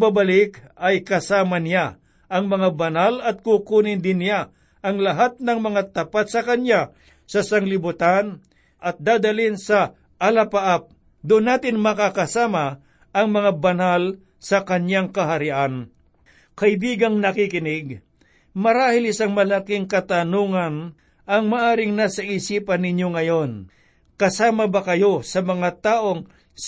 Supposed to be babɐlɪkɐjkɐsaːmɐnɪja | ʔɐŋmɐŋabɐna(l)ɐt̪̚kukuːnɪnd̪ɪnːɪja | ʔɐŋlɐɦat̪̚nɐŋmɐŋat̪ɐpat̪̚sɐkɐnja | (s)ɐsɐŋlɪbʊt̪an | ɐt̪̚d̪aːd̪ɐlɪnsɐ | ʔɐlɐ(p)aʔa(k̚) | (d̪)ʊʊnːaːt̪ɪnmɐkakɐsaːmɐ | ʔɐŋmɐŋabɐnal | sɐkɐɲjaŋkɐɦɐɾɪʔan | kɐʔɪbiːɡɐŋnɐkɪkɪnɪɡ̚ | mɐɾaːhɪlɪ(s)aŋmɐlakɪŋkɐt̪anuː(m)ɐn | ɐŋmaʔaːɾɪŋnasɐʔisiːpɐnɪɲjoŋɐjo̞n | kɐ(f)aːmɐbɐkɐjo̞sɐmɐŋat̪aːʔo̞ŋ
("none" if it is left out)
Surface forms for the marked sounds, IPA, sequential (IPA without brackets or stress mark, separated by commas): l, s, p, p̚, d̪, s, ŋ, s